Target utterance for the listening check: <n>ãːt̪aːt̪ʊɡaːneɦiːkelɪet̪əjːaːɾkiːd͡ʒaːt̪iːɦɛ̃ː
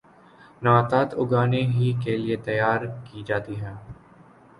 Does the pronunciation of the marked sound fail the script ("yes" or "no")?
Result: no